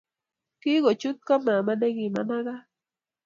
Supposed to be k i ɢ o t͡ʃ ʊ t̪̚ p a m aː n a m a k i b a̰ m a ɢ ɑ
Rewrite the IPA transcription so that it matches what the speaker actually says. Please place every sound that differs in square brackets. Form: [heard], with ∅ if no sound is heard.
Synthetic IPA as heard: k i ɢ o t͡ʃ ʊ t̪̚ [k] a m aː [m] a [n] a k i [m] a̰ [n] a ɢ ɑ